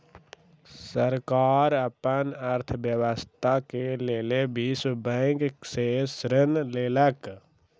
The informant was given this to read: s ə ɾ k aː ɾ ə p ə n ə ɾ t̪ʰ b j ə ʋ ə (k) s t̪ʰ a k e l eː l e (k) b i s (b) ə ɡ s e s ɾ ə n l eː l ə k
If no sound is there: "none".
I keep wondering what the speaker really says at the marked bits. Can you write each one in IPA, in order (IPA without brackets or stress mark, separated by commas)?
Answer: none, none, b